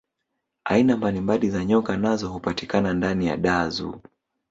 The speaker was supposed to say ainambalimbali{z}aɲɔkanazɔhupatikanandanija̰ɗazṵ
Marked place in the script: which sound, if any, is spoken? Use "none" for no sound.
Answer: z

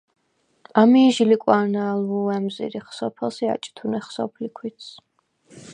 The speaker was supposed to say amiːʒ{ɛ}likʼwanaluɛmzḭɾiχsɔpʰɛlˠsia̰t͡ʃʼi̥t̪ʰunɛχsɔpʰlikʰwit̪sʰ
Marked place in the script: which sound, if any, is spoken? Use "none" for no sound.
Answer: i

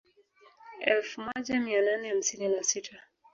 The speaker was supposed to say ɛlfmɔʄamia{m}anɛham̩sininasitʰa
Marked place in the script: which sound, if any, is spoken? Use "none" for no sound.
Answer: n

